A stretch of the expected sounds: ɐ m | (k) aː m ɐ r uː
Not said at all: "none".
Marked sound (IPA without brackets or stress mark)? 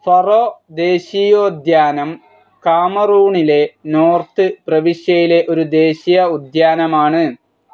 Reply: k